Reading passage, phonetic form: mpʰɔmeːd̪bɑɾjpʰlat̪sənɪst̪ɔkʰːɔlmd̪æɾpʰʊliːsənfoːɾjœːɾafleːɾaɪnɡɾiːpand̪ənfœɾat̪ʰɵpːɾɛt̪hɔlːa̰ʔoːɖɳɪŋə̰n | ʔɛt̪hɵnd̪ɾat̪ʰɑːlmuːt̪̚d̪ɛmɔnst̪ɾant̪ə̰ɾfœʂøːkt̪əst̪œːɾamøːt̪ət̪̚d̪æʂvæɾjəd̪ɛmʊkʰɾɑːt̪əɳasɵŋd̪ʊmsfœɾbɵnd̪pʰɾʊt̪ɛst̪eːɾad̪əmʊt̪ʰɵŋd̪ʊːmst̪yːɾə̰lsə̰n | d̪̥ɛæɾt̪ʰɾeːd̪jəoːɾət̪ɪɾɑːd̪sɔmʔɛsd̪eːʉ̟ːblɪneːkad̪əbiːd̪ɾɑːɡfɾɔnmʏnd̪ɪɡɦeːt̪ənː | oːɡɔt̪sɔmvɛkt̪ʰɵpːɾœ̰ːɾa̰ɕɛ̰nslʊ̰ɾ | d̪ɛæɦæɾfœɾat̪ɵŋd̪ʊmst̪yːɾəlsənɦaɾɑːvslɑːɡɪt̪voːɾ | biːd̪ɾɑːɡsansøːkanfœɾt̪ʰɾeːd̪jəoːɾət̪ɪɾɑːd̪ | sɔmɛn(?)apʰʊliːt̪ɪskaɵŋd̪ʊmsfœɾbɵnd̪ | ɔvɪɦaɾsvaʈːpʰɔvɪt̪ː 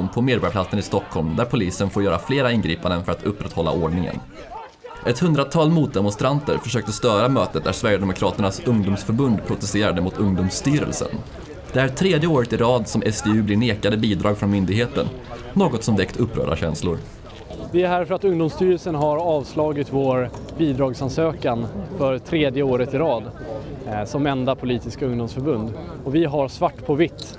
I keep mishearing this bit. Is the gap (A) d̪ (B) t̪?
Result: A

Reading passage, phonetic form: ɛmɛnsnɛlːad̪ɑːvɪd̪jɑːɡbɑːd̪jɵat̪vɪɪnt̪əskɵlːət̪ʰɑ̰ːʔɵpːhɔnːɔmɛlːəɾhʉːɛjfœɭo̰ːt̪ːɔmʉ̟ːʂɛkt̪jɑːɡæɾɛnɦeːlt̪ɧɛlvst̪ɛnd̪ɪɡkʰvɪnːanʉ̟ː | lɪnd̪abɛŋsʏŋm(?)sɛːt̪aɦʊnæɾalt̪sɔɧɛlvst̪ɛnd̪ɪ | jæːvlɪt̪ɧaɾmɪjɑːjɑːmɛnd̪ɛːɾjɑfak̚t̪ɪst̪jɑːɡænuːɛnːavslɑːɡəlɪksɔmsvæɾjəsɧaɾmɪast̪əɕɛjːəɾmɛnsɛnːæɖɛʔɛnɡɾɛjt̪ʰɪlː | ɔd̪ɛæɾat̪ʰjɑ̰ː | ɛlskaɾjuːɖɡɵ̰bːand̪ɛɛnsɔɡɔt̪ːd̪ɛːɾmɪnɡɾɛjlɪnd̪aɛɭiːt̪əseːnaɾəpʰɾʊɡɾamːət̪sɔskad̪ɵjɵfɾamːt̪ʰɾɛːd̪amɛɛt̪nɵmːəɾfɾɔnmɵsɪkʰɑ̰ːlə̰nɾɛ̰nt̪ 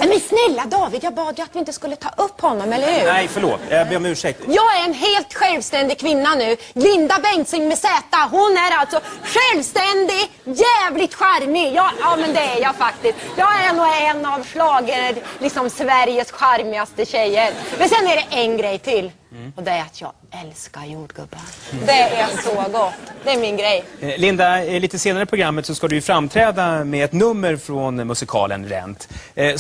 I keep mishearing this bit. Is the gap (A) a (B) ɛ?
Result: B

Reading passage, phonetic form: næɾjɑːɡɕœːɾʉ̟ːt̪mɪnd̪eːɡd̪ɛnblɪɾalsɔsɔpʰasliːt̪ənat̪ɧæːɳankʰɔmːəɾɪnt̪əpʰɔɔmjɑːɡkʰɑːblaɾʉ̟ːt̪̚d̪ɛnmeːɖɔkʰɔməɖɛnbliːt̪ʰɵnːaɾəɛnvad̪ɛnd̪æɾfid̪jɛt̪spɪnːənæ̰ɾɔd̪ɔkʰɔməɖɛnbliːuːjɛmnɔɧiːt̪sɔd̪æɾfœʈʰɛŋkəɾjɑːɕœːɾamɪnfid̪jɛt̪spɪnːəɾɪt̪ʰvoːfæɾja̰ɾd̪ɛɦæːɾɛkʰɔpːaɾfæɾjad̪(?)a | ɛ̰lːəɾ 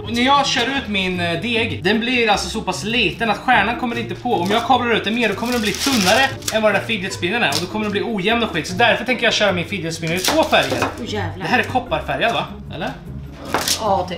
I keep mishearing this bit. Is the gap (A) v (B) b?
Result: A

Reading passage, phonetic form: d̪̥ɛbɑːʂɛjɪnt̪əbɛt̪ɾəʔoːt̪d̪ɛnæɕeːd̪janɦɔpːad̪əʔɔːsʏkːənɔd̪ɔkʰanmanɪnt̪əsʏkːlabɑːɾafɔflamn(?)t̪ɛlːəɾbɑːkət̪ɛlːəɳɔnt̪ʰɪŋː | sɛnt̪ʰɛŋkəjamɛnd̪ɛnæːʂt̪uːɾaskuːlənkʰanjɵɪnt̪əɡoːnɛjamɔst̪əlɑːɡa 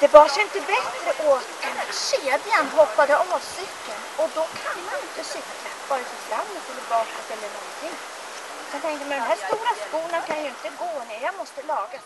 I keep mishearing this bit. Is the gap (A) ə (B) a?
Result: A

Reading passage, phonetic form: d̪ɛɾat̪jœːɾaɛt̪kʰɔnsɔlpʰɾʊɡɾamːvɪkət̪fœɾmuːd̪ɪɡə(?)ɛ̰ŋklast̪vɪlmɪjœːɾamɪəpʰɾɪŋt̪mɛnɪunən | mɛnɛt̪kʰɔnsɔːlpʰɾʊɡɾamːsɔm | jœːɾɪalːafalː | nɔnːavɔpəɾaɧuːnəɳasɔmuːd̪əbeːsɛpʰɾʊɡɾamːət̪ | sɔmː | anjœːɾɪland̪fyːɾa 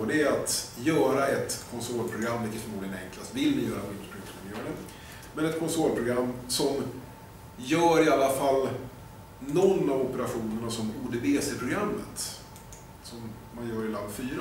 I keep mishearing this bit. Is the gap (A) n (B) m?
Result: A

